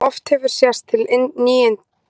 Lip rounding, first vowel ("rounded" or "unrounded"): rounded